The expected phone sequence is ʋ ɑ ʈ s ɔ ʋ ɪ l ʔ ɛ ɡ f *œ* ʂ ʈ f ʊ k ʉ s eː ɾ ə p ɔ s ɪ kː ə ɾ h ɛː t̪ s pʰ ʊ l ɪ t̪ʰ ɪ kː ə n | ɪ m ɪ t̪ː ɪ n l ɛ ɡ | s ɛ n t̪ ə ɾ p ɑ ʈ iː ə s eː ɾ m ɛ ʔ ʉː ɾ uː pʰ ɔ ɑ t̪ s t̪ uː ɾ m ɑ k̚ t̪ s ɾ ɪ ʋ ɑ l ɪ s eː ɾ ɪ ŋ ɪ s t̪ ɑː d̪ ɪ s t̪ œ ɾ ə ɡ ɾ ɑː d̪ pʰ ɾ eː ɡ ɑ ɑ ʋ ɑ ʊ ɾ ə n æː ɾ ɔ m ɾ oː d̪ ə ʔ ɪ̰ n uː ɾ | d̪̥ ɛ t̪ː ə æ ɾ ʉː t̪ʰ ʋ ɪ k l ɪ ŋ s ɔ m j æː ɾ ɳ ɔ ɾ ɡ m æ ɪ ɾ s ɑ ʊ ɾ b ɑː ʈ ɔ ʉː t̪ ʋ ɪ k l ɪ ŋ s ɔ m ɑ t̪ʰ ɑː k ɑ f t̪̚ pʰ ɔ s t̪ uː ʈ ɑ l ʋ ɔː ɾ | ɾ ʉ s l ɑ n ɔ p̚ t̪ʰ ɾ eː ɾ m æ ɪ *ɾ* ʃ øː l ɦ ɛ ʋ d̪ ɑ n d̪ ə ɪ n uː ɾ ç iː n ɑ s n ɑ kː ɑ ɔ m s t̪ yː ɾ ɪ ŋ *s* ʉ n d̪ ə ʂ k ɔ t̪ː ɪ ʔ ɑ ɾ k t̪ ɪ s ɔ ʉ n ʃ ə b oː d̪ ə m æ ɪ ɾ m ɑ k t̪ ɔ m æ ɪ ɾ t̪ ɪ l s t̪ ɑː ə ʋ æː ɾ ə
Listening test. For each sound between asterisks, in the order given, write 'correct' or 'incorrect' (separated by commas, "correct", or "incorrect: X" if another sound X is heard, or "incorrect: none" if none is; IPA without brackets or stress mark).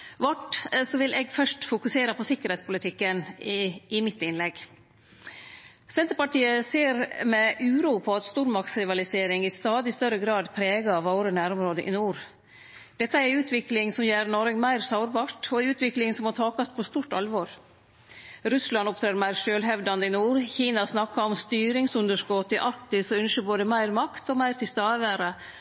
correct, correct, correct